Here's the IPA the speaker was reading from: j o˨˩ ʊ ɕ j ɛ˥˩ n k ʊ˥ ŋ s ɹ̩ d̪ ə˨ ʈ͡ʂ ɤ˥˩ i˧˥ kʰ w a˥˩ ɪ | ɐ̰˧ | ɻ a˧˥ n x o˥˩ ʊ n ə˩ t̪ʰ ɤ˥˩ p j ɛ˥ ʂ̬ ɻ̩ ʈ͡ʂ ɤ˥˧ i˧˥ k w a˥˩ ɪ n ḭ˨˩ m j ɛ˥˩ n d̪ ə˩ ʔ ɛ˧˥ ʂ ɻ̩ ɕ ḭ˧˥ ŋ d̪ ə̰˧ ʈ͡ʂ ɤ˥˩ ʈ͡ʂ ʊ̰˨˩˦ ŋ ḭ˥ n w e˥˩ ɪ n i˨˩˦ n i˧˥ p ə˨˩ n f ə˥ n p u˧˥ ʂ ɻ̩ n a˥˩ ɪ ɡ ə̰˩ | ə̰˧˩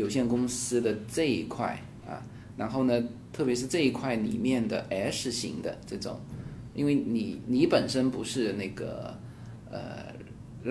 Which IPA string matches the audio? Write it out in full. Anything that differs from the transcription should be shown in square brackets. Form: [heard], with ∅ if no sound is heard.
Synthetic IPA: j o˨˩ ʊ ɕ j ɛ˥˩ n k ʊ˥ ŋ s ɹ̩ d̪ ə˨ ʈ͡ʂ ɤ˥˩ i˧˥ kʰ w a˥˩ ɪ | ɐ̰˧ | ɻ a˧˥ n x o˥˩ ʊ n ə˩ t̪ʰ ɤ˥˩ p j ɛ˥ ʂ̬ ɻ̩ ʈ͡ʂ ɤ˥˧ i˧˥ [kʰ] w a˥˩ ɪ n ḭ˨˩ m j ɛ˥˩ n d̪ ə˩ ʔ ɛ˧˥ ʂ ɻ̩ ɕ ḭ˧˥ ŋ d̪ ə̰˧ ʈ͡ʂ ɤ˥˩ ʈ͡ʂ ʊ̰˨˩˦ ŋ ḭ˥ n w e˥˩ ɪ n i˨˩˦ n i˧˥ p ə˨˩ n [ʂ] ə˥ n p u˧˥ ʂ ɻ̩ n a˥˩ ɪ ɡ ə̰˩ | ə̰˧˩